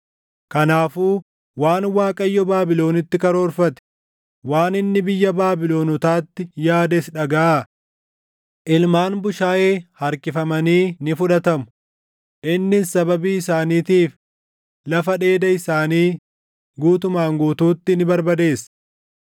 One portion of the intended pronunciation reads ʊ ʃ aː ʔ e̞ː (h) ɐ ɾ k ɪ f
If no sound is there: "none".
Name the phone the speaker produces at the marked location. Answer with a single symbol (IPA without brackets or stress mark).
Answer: h